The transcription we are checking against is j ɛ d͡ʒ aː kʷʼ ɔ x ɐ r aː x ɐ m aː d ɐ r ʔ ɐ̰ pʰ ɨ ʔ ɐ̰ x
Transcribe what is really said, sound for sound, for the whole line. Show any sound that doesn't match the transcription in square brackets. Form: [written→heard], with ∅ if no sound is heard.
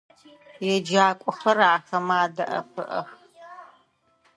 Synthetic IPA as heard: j ɛ d͡ʒ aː kʷʼ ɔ x ɐ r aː x ɐ m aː d ɐ [r→∅] ʔ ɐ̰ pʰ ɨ ʔ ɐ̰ x

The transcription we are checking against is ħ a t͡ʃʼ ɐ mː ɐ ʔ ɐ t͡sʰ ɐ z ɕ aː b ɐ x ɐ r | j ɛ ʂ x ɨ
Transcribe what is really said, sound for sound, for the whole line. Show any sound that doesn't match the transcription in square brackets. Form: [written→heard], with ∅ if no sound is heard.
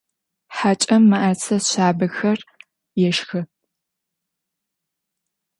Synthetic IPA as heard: ħ a t͡ʃʼ ɐ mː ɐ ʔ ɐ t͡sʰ ɐ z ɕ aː b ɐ x ɐ r | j ɛ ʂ x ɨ

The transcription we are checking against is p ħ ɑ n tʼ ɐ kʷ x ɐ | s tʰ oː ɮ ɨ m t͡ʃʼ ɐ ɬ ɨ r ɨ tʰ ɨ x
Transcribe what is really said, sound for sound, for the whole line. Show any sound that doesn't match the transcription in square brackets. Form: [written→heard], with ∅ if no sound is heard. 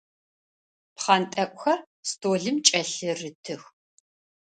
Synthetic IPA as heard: p [ħ→χ] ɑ n tʼ ɐ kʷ x ɐ | s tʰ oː ɮ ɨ m t͡ʃʼ ɐ ɬ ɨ r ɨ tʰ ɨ x

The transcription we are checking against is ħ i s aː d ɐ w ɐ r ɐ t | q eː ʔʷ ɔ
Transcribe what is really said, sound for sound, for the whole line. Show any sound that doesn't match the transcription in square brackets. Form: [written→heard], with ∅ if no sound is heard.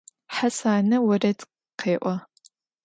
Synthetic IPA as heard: ħ [i→a] s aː [d→n] ɐ w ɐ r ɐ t | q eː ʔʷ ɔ

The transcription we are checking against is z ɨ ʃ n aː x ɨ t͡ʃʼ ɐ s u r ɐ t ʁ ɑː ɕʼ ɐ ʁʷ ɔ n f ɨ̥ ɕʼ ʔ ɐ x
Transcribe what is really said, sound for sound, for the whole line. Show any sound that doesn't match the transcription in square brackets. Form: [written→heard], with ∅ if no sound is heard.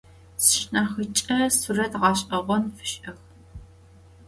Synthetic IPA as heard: [z→s] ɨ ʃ n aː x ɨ t͡ʃʼ ɐ s u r ɐ t ʁ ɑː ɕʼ ɐ ʁʷ ɔ n f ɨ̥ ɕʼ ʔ ɐ x

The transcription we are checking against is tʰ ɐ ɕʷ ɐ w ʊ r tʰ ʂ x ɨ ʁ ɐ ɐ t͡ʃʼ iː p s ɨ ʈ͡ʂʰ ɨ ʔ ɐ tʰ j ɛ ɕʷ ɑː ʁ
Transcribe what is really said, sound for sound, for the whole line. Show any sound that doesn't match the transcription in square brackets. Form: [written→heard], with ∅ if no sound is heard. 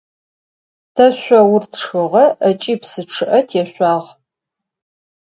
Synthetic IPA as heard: tʰ ɐ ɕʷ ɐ w ʊ r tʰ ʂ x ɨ ʁ ɐ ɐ t͡ʃʼ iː p s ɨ ʈ͡ʂʰ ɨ ʔ ɐ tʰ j ɛ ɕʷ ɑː ʁ

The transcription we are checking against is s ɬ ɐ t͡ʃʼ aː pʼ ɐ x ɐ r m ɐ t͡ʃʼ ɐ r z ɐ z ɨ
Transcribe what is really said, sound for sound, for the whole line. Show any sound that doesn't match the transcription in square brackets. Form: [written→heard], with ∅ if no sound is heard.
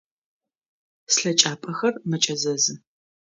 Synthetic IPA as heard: s ɬ ɐ t͡ʃʼ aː pʼ ɐ x ɐ r m ɐ t͡ʃʼ ɐ [r→∅] z ɐ z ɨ

